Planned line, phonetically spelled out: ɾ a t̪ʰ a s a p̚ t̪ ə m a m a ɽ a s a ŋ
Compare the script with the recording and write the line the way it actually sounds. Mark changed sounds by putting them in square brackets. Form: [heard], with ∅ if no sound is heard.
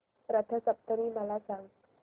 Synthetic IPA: ɾ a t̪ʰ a s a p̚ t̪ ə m [i] m a [l] a s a ŋ